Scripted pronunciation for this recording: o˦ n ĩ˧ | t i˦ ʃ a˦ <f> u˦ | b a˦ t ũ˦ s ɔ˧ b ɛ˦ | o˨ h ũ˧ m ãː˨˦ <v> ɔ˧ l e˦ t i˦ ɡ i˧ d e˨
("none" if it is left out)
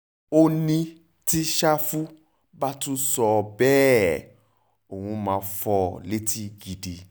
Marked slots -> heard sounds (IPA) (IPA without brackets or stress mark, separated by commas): f, f